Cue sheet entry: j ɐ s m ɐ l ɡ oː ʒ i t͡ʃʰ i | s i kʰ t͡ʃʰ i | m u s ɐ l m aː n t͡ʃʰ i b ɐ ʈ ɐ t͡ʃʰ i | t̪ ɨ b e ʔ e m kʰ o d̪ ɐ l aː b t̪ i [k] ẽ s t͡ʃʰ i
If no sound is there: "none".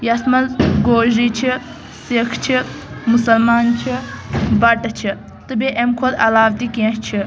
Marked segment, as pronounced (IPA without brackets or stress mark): k